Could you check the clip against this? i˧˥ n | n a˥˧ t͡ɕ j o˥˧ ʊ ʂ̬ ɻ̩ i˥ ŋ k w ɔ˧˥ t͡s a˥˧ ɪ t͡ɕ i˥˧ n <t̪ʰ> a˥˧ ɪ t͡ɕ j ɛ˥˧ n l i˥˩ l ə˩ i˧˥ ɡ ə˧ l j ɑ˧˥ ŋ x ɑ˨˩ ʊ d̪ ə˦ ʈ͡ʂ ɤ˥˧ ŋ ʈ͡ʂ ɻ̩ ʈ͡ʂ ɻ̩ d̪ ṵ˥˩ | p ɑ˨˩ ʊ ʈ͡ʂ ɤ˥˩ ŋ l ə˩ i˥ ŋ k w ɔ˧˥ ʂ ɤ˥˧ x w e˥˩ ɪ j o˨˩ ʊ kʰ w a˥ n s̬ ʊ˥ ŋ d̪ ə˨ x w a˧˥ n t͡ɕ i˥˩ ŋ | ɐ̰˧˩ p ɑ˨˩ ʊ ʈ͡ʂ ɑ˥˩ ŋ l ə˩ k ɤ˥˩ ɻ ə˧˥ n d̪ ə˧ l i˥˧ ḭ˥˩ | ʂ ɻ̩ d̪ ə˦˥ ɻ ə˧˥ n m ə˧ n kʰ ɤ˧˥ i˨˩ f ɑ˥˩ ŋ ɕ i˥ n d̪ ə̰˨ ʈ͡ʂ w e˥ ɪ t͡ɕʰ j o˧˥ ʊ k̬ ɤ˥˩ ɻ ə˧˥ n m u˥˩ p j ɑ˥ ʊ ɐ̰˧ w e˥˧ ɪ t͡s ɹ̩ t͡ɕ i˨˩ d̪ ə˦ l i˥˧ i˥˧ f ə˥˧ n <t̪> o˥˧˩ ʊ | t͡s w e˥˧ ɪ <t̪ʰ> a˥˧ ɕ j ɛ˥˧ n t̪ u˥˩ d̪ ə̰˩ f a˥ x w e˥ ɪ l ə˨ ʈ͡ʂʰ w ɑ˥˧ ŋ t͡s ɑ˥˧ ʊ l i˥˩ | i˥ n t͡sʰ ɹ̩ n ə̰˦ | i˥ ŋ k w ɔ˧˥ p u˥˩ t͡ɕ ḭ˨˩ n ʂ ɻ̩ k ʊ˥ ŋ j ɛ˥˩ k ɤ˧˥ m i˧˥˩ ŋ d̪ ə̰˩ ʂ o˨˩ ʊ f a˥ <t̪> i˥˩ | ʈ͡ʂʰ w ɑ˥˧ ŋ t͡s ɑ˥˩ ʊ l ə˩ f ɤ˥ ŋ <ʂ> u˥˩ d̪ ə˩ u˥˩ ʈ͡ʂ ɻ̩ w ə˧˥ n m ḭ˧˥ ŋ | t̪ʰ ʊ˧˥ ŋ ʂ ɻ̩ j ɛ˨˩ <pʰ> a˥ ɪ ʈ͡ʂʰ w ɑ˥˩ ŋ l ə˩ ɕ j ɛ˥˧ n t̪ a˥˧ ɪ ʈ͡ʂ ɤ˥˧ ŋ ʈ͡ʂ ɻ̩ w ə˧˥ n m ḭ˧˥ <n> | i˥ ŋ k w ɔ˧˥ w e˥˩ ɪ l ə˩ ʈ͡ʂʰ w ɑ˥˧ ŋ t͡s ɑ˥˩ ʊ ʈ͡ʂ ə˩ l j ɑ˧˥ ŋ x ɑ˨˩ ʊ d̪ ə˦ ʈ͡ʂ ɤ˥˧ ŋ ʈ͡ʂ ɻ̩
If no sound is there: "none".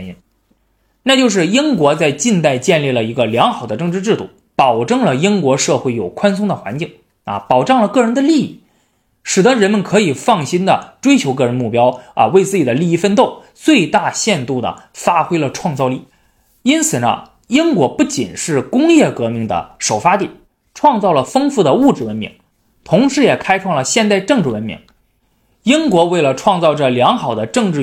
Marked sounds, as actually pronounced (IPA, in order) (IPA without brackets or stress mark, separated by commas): t̪, t̪, t̪, t̪, f, kʰ, ŋ